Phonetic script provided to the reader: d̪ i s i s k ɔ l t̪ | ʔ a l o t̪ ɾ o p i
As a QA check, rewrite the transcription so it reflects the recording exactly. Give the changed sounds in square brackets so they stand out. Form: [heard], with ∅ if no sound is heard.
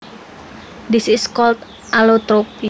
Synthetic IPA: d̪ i s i s k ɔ l t̪ | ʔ a l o t̪ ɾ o p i